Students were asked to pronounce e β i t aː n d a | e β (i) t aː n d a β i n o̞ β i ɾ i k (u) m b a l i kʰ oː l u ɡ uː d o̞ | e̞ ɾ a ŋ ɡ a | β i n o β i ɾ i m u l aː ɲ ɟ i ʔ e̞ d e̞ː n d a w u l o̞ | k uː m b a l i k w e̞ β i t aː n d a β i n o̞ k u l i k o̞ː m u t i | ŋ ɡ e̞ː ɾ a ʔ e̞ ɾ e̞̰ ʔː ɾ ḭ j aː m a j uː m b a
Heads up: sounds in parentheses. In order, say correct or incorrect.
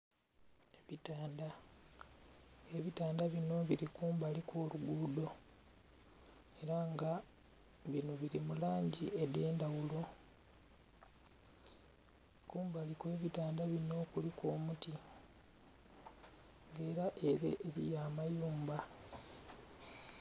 correct, incorrect: uː

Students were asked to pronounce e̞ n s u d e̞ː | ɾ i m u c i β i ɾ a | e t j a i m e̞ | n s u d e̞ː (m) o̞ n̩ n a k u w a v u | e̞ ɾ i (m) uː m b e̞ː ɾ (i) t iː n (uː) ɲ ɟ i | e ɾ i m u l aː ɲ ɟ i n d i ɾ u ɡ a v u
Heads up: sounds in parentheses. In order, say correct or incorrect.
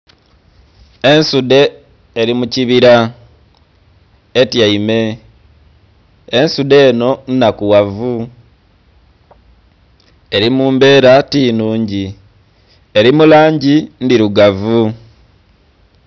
incorrect: n, correct, incorrect: a, correct

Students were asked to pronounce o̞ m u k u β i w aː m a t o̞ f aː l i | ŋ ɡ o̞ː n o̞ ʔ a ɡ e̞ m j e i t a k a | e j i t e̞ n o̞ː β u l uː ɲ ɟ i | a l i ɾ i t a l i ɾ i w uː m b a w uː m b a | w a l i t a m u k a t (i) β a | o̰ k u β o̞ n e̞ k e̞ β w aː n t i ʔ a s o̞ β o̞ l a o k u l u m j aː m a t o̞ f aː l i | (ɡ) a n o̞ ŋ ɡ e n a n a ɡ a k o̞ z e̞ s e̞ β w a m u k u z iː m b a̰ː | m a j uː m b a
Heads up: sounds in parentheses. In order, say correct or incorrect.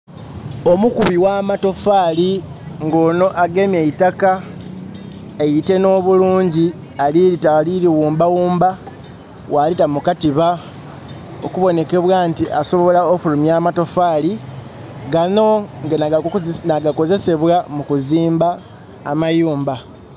correct, correct

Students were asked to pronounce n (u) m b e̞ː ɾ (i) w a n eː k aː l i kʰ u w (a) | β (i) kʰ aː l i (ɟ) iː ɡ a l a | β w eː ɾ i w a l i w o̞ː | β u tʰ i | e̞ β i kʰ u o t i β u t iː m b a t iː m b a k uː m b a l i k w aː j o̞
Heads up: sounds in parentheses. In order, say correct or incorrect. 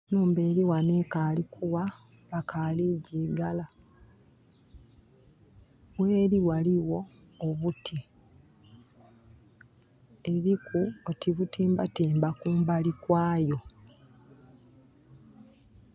incorrect: uː, correct, correct, incorrect: a, correct

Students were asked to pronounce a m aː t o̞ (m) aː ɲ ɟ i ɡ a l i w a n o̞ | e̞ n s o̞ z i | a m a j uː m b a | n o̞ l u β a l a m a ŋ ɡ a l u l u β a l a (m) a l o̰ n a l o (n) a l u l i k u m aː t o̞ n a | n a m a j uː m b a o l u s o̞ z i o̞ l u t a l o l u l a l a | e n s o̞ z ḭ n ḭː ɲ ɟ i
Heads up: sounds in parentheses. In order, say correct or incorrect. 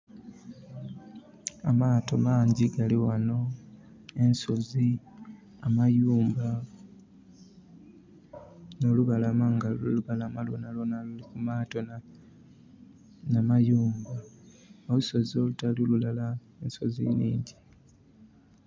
correct, correct, correct

